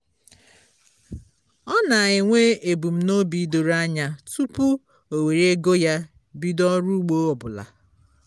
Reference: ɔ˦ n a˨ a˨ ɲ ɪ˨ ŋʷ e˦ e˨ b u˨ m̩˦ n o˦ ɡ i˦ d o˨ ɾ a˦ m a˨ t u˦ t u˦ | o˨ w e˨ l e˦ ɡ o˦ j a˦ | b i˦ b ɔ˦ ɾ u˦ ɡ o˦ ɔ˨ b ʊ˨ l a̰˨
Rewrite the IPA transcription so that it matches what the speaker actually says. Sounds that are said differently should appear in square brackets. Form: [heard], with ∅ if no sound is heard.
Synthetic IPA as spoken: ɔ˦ n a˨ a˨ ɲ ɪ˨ ŋʷ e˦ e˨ b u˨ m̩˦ n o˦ [b] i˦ d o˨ ɾ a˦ [ɲ] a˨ t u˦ [p] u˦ | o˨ w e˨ [ɾ] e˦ ɡ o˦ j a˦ | b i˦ [d] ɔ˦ ɾ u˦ [ɡ͡b] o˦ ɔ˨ b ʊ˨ l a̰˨